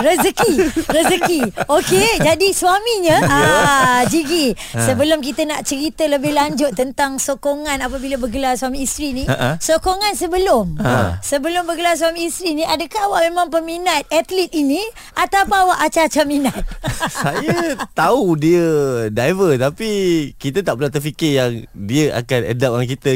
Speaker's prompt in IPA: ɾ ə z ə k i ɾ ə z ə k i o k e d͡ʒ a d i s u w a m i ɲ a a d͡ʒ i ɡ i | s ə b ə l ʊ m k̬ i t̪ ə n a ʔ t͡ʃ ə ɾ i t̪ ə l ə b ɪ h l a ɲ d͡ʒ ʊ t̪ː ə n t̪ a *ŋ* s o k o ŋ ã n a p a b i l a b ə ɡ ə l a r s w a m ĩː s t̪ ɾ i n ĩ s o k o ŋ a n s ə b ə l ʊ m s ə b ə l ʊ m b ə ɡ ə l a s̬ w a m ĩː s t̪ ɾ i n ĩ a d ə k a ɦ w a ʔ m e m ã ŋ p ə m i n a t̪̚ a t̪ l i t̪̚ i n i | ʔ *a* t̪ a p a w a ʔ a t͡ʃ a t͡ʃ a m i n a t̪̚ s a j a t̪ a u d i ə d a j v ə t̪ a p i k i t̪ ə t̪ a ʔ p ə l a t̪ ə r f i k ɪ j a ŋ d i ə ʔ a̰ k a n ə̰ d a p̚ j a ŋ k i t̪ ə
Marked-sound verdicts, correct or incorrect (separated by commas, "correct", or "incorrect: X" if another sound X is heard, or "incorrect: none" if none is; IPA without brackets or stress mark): correct, correct